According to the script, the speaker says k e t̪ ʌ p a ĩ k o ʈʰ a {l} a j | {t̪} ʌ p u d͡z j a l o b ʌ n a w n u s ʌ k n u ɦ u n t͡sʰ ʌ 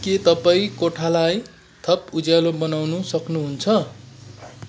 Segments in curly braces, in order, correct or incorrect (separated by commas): correct, incorrect